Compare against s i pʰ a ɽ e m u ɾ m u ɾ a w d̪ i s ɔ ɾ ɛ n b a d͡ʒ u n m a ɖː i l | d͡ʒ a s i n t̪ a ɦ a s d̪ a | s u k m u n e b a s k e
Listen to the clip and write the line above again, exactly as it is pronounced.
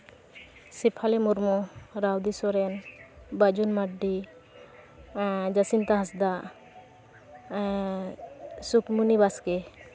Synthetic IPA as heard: s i pʰ a l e m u ɾ m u ɾ a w d̪ i s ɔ ɾ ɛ n b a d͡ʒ u n m a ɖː i | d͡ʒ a s i n t̪ a ɦ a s d̪ a | s u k m u n i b a s k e

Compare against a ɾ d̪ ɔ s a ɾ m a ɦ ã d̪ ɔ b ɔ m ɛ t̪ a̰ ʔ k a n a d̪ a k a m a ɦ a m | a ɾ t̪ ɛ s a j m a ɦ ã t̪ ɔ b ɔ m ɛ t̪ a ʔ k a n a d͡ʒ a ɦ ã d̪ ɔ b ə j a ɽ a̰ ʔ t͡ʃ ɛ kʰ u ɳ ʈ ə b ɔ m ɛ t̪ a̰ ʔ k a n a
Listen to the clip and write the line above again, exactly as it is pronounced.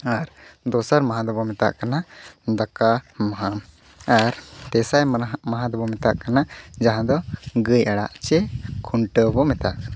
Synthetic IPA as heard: a ɾ d̪ ɔ s a ɾ m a ɦ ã d̪ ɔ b ɔ m ɛ t̪ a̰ ʔ k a n a d̪ a k a m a ɦ a m | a ɾ t̪ ɛ s a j m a ɦ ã d̪ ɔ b ɔ m ɛ t̪ a ʔ k a n a d͡ʒ a ɦ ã d̪ ɔ ɡ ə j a ɽ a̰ ʔ t͡ʃ ɛ kʰ u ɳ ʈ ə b ɔ m ɛ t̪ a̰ ʔ k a n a

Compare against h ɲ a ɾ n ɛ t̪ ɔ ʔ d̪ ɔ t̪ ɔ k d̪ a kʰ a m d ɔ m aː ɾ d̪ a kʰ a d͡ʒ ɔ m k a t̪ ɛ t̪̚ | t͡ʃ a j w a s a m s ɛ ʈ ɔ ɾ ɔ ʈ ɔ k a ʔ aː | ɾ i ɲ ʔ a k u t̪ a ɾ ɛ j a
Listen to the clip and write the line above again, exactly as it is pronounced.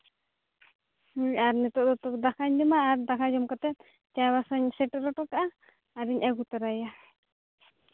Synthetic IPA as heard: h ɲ a ɾ n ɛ t̪ ɔ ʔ d̪ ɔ t̪ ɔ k d̪ a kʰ a ɲ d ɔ m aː ɾ d̪ a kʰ a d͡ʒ ɔ m k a t̪ ɛ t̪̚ | t͡ʃ a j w a s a ɲ s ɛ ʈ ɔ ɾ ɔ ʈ ɔ k a ʔ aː | ɾ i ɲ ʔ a ɡ u t̪ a ɾ a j a

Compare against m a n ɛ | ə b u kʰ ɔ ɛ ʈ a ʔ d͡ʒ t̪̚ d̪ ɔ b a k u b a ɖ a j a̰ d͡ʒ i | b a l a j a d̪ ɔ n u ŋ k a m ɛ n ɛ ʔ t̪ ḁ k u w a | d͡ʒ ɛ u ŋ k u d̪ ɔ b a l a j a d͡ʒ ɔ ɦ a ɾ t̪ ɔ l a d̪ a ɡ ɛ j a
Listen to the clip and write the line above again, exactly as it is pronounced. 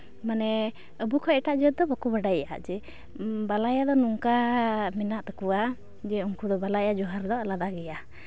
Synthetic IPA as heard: m a n ɛ | ə b u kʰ ɔ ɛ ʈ a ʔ d͡ʒ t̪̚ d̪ ɔ b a k u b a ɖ a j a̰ d͡ʒ ɛ | b a l a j a d̪ ɔ n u ŋ k a m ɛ n a ʔ t̪ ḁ k u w a | d͡ʒ ɛ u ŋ k u d̪ ɔ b a l a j a d͡ʒ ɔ ɦ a ɾ d̪ ɔ l a d̪ a ɡ ɛ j a

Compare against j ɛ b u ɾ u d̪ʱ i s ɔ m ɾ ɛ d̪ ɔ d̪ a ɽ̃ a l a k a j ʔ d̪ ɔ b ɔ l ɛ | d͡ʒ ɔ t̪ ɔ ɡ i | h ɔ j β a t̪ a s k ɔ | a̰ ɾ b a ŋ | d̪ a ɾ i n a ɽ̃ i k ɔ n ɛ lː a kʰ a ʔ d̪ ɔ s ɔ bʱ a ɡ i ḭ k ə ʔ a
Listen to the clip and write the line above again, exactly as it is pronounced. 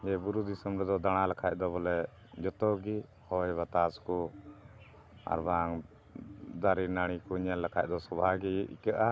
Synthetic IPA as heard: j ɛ b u ɾ u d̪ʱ i s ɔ m ɾ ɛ d̪ ɔ d̪ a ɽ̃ a l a kʰ a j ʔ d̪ ɔ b ɔ l ɛ | d͡ʒ ɔ t̪ ɔ ɡ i | h ɔ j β a t̪ a s k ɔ | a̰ ɾ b a ŋ | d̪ a ɾ i n a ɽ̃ i k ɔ ɲ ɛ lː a kʰ a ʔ d̪ ɔ s ɔ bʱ a ɡ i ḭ k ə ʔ a

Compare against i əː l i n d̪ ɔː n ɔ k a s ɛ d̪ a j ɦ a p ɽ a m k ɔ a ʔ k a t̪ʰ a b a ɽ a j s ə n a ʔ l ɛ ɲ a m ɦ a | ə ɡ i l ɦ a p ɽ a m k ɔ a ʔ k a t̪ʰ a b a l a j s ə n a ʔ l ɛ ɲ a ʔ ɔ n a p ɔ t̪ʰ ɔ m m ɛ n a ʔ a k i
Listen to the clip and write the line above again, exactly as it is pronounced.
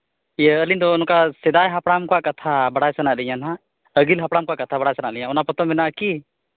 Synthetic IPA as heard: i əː l i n d̪ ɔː n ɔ k a s ɛ d̪ a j ɦ a p ɽ a m k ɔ a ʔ k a t̪ʰ a b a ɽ a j s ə n a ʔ l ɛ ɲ a n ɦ a | ə ɡ i l ɦ a p ɽ a m k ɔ a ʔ k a t̪ʰ a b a ɽ a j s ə n a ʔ l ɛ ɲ a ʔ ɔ n a p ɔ t̪ ɔ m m ɛ n a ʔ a k i

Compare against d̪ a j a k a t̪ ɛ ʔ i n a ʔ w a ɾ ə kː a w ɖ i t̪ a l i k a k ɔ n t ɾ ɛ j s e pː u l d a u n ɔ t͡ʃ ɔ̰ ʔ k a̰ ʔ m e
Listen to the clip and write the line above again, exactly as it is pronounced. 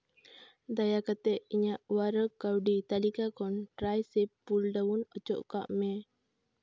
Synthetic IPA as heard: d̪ a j a k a t̪ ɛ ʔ i ɲ a ʔ w a ɾ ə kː a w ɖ i t̪ a l i k a k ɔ n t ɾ a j s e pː u l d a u n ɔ t͡ʃ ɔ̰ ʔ k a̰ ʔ m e

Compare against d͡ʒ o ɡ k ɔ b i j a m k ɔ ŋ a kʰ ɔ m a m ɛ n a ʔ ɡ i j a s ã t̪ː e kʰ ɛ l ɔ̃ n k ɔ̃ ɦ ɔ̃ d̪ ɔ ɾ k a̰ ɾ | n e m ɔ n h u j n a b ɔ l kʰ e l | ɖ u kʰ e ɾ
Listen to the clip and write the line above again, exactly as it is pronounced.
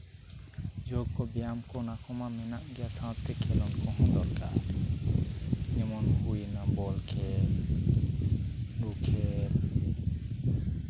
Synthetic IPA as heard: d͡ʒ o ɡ k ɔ b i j a m k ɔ n a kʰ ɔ m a m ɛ n a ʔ ɡ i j a s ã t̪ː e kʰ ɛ l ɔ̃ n k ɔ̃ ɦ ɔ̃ d̪ ɔ ɾ k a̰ ɾ | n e m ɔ n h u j n a b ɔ l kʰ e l | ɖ u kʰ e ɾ

